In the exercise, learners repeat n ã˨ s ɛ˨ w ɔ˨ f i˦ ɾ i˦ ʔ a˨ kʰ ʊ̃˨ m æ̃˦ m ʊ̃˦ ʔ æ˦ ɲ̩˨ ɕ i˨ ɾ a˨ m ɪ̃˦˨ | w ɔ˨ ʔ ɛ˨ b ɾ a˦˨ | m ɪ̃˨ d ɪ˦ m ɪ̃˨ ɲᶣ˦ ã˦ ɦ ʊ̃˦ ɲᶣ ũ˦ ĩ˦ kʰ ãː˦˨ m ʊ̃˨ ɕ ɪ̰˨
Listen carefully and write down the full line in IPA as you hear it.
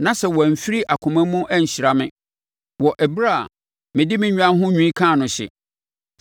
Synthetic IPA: n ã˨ s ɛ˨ w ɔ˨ f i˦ ɾ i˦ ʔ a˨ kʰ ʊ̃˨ m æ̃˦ m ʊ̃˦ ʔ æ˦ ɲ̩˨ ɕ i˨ ɾ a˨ m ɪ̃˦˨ | w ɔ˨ ʔ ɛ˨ b ɾ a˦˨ | m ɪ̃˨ d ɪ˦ m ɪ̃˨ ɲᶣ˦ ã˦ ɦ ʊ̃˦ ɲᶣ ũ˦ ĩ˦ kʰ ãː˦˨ n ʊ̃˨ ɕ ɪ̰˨